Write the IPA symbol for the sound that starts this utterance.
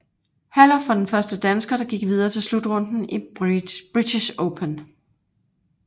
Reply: h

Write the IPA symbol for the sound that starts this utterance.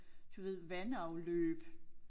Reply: d̥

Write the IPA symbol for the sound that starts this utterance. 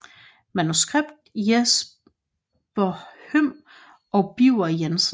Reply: m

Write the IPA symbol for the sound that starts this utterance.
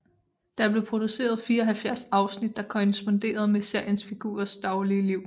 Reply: d̥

